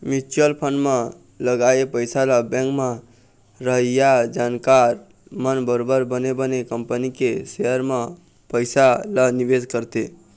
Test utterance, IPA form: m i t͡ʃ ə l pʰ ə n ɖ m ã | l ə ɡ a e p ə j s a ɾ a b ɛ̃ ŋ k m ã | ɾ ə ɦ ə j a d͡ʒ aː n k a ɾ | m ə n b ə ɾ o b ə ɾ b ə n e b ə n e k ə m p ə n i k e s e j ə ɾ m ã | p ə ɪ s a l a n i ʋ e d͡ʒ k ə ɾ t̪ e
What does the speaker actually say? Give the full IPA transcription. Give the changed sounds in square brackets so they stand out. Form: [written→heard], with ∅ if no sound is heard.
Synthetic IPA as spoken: m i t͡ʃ ə l pʰ ə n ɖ m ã | l ə ɡ a e p ə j s a [ɾ→l] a b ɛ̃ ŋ k m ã | ɾ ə ɦ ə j a d͡ʒ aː n k a ɾ | m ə n b ə ɾ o b ə ɾ b ə n e b ə n e k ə m p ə n i k e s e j ə ɾ m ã | p ə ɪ s a l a n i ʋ e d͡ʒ k ə ɾ t̪ e